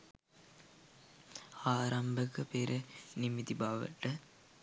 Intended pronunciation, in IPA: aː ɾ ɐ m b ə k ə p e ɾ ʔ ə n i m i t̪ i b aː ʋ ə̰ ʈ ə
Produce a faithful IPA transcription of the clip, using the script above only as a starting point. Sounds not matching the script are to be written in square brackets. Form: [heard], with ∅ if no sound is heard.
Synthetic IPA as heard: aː ɾ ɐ m b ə k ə p e ɾ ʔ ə n i m i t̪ i b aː ʋ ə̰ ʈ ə